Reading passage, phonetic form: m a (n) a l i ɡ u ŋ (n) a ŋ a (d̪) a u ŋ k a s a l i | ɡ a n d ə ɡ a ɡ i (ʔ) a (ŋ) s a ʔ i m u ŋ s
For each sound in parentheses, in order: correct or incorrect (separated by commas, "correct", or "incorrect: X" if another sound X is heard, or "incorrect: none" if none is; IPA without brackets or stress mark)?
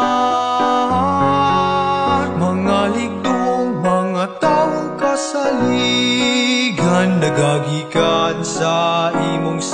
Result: incorrect: ŋ, incorrect: m, incorrect: t̪, incorrect: k, incorrect: n